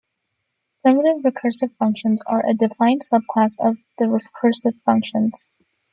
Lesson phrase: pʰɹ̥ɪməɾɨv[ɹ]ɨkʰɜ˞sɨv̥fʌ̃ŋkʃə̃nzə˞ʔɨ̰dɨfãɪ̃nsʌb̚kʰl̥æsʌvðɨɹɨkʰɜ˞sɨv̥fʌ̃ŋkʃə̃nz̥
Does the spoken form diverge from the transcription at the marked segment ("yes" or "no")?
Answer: no